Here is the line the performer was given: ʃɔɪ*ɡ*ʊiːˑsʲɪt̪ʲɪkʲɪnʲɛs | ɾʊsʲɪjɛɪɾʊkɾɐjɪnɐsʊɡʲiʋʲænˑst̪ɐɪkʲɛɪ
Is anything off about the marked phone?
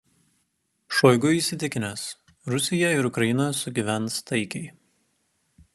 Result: no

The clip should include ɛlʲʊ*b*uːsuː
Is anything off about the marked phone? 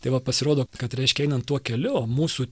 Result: yes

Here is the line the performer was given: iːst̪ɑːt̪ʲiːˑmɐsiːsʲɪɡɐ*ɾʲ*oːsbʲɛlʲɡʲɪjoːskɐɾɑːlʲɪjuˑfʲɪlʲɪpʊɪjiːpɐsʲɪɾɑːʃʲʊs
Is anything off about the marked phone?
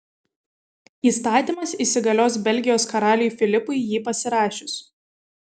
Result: yes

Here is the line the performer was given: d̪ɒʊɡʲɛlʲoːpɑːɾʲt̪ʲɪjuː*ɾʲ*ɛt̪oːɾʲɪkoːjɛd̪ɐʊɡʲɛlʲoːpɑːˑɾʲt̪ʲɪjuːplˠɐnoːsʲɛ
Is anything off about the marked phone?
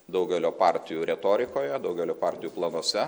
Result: no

